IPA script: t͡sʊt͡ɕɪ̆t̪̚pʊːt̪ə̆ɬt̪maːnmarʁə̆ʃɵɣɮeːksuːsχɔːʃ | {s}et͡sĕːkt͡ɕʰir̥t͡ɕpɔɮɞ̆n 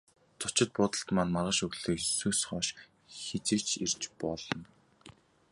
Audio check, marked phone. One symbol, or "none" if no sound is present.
x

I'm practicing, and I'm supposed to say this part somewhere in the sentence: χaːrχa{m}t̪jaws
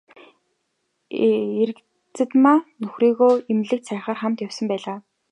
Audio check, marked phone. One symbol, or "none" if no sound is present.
m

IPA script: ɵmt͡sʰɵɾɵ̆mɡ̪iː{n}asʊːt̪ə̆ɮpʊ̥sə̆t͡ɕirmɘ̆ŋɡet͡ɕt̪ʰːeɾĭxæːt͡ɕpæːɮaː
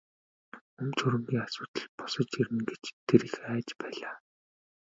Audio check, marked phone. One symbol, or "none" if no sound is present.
ŋ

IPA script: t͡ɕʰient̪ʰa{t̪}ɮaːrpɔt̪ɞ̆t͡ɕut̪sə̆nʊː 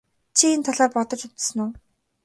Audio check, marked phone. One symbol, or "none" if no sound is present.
none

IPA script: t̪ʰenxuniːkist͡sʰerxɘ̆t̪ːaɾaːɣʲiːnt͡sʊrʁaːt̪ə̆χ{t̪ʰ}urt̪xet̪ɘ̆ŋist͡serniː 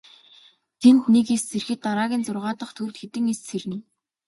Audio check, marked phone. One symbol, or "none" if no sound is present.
t̪ʰ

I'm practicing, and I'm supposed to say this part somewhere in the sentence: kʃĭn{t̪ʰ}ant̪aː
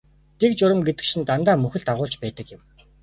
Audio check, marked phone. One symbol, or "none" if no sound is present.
t̪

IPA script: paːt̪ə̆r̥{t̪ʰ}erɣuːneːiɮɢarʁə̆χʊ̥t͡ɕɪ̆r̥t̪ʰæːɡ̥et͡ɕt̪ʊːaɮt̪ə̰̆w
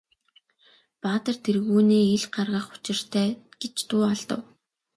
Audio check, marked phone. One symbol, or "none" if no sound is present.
t̪ʰ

